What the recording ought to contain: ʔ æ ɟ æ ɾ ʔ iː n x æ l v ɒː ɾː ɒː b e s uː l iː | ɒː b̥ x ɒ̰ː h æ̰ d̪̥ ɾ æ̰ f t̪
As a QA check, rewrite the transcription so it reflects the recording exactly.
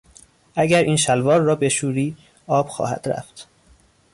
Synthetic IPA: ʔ æ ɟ æ ɾ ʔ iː n ʃ æ l v ɒː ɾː ɒː b e ʃ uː ɾ iː | ɒː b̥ x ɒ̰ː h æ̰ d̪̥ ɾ æ̰ f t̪